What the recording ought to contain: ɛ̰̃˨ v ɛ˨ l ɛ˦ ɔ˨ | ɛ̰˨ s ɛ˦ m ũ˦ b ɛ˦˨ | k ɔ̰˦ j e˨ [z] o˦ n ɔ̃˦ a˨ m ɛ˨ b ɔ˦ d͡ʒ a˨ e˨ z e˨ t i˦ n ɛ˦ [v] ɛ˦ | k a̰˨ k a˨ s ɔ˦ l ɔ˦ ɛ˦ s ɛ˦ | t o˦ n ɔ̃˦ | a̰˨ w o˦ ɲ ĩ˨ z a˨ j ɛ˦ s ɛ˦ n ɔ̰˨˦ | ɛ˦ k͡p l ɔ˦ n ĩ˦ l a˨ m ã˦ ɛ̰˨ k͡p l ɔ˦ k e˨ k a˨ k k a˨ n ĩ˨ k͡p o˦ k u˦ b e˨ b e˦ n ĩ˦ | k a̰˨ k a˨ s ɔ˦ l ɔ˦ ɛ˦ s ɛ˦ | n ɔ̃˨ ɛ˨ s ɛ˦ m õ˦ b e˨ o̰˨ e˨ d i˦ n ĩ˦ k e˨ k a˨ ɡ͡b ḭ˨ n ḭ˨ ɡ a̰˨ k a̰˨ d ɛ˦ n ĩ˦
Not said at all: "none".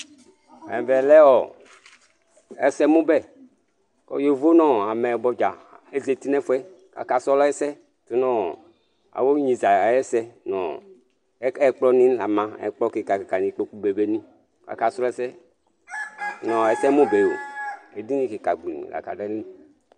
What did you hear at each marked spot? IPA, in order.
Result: v, f

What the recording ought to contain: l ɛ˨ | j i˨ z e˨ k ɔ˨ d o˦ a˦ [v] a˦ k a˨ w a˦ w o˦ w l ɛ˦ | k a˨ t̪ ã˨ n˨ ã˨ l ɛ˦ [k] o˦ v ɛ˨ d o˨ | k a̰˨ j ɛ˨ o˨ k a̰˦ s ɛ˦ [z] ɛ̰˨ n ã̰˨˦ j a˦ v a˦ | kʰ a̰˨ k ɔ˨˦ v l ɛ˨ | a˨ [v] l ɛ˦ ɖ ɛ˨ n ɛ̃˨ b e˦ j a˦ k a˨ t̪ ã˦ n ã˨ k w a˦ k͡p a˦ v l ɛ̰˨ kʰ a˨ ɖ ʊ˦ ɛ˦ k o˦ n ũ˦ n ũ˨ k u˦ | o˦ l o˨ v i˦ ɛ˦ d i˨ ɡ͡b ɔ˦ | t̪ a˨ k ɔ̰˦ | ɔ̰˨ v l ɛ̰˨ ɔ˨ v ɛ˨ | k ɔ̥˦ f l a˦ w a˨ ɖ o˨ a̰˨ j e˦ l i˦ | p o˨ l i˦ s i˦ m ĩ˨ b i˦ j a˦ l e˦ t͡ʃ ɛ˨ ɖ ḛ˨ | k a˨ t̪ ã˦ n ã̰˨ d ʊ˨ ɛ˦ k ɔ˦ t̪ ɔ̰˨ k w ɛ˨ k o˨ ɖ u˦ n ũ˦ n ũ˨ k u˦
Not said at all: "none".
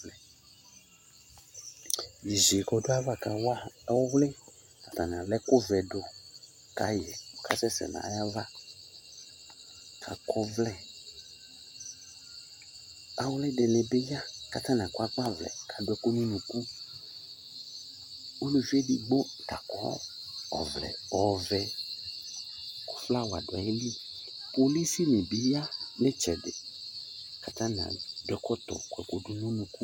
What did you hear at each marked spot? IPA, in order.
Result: v, k, s, w

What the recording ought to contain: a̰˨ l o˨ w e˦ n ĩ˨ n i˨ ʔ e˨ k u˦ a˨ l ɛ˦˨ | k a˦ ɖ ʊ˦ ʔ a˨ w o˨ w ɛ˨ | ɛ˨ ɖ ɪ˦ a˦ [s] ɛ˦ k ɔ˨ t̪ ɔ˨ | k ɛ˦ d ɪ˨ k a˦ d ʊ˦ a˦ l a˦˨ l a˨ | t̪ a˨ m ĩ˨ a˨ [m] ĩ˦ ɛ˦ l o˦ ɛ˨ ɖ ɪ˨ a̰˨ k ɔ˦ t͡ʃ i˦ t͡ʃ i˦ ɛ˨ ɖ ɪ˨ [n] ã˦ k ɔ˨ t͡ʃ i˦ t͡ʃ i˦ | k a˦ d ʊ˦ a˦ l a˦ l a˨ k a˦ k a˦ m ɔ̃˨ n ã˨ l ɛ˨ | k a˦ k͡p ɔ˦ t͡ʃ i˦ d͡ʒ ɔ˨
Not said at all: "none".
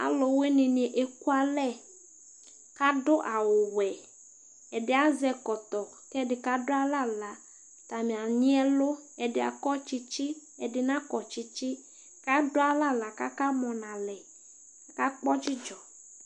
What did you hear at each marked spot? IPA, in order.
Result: z, ɲ, n

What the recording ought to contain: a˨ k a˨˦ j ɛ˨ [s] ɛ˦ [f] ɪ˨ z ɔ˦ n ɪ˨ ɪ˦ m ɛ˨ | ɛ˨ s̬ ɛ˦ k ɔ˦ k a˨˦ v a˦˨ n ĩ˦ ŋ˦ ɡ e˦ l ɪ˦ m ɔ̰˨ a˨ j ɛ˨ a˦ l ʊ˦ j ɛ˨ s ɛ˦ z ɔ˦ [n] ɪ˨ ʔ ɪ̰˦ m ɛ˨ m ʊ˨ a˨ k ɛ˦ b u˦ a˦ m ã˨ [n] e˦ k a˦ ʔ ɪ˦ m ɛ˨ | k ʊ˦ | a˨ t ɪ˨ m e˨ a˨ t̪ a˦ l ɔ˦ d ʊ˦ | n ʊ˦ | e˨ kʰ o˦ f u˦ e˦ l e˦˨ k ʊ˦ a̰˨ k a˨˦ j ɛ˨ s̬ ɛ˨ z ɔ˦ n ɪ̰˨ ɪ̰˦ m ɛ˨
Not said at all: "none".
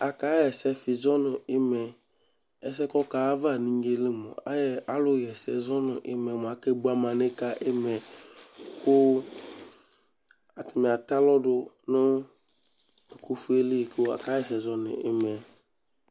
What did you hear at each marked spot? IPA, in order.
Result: s, f, n, n

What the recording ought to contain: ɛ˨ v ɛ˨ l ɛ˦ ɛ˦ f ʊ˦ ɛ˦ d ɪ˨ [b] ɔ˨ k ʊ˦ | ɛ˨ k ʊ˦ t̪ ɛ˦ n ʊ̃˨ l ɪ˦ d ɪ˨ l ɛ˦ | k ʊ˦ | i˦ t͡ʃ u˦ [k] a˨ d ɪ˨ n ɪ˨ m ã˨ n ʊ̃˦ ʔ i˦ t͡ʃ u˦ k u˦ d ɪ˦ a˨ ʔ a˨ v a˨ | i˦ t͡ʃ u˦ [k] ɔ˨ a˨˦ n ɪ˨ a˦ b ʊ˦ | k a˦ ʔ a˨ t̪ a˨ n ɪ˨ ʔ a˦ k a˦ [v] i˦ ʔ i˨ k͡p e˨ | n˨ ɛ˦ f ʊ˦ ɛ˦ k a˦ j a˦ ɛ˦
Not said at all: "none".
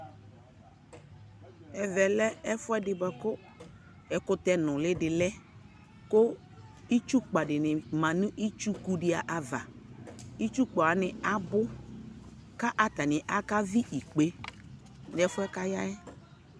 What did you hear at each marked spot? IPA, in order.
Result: b, k͡p, k͡p, v

